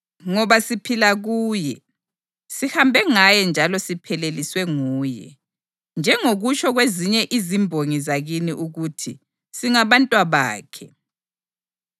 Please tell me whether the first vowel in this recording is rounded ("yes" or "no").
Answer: yes